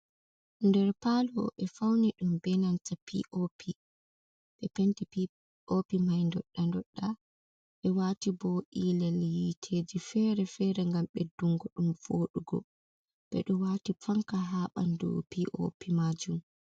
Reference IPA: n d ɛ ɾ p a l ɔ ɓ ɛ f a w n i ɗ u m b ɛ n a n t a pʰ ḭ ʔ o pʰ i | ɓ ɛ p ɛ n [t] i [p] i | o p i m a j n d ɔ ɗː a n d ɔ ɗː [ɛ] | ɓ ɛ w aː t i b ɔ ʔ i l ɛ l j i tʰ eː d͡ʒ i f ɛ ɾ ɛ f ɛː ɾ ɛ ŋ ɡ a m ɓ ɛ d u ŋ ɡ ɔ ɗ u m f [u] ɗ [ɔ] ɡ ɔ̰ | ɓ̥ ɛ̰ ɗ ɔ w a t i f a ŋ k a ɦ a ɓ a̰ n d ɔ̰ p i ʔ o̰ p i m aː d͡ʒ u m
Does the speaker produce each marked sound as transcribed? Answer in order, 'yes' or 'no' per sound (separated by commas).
yes, yes, no, no, no